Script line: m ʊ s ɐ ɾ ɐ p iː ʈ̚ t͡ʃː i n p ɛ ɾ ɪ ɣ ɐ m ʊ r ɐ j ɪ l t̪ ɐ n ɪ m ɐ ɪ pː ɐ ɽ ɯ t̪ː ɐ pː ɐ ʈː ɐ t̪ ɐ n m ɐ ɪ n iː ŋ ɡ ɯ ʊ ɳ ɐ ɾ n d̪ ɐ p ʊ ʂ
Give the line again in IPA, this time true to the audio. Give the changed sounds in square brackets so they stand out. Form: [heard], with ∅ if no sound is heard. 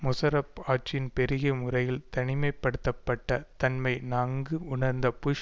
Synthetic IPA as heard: m ʊ s ɐ ɾ ɐ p [aː] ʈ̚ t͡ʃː [ɪ] n p ɛ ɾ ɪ ɣ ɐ m ʊ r ɐ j ɪ l t̪ ɐ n ɪ m ɐ ɪ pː ɐ ɽ ɯ t̪ː ɐ pː ɐ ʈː ɐ t̪ ɐ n m ɐ ɪ n [aː] ŋ ɡ ɯ ʊ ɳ ɐ ɾ n d̪ ɐ p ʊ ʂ